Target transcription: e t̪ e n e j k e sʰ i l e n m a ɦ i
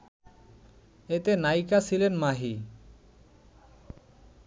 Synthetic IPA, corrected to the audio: e t̪ e n a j k a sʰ i l e n m a ɦ i